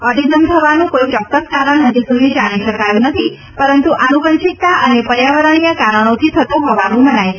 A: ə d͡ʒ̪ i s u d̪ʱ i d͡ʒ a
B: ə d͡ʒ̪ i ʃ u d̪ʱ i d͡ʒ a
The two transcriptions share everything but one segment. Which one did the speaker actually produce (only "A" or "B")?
A